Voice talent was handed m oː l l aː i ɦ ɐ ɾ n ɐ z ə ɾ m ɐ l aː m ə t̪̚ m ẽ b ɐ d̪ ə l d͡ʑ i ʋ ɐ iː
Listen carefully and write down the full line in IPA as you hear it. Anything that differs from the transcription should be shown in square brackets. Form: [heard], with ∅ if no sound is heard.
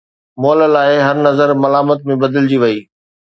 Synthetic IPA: m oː l l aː [ɪ] ɦ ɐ ɾ n ɐ z ə ɾ m ɐ l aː m ə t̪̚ m ẽ b ɐ d̪ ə l d͡ʑ i ʋ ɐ iː